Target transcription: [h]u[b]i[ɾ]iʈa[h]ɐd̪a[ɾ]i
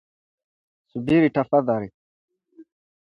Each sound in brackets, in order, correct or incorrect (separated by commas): incorrect, correct, correct, incorrect, correct